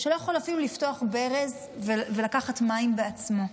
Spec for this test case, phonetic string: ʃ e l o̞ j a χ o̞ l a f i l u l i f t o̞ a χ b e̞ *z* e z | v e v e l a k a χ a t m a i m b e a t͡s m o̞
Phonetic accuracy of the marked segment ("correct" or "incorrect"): incorrect